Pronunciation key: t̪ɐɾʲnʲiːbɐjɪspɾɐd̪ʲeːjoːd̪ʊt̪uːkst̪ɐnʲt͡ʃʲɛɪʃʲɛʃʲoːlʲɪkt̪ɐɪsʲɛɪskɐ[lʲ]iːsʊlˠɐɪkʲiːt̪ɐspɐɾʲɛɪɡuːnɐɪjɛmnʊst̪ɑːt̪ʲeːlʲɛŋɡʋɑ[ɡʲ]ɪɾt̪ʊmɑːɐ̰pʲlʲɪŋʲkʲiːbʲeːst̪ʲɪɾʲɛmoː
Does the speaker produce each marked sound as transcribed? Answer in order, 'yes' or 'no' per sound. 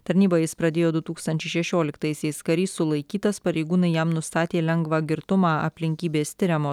no, yes

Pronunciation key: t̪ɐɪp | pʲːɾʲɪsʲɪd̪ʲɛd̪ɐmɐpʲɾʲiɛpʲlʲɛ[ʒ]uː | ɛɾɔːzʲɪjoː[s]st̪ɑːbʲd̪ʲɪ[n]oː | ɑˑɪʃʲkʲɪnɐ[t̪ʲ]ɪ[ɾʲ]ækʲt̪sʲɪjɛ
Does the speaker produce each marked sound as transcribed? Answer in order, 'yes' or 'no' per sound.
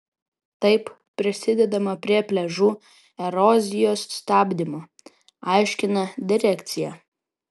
yes, yes, no, no, yes

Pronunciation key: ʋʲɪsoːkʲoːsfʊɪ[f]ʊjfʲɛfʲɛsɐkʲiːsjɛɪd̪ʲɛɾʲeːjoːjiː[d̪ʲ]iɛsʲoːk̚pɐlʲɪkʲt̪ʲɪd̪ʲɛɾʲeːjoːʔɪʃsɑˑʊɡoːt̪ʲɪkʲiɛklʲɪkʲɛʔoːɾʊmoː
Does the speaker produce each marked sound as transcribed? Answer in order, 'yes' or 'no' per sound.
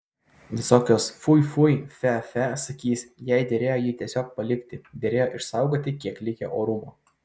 yes, no

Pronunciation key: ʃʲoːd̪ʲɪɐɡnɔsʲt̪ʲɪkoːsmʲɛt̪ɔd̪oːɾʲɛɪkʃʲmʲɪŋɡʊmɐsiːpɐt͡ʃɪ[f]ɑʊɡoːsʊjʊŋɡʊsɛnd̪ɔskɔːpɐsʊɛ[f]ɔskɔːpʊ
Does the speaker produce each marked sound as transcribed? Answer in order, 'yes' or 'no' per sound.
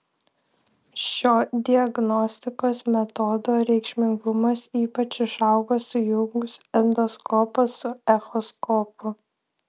no, no

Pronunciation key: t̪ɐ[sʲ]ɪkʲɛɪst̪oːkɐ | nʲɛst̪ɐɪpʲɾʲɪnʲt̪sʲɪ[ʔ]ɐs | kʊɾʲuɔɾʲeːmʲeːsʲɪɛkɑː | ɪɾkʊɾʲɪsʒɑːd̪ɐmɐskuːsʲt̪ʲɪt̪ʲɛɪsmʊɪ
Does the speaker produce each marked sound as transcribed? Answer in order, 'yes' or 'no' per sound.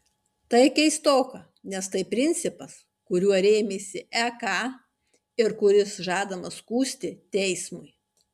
no, no

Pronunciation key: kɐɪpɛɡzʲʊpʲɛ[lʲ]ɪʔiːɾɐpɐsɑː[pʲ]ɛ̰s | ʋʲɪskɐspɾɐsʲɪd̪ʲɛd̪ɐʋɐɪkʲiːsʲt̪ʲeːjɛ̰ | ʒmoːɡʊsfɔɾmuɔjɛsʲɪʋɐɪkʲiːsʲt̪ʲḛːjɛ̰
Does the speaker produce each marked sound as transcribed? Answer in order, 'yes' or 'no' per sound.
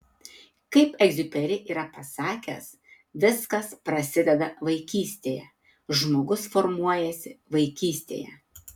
no, no

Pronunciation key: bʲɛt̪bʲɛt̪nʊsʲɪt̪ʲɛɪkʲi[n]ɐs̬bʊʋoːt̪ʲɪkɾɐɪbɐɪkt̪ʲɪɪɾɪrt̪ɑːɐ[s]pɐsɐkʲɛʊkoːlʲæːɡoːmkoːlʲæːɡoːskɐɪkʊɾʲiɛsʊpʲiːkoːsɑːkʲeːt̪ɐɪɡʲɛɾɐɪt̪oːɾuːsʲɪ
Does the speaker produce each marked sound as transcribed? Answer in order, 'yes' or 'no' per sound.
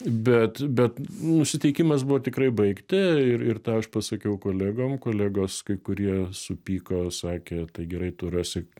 no, no

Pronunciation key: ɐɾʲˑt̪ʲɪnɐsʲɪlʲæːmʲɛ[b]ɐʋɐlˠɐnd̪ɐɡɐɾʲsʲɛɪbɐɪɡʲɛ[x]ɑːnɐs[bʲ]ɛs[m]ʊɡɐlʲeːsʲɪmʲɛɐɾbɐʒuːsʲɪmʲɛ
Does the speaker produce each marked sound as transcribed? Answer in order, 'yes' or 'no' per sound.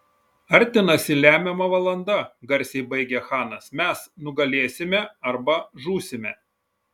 no, yes, no, no

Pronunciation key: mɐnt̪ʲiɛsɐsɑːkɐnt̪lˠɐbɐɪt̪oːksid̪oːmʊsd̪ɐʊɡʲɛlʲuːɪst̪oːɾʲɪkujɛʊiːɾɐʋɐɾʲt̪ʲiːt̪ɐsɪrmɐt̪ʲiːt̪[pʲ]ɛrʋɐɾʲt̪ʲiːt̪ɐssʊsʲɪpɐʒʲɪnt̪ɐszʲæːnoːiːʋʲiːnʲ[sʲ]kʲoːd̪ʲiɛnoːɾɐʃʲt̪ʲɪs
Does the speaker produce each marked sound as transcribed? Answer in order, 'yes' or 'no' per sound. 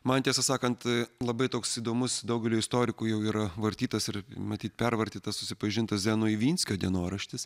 yes, yes

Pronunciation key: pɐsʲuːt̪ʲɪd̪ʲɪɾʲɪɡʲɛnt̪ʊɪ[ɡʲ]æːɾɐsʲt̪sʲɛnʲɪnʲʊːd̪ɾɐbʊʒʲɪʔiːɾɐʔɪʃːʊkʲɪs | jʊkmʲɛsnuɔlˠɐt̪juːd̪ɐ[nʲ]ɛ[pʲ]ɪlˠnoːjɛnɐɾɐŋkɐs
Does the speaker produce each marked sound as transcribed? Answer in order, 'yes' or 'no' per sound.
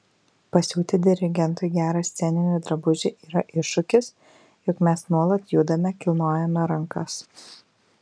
yes, no, no

